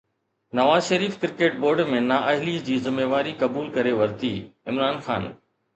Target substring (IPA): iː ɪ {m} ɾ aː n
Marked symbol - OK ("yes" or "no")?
yes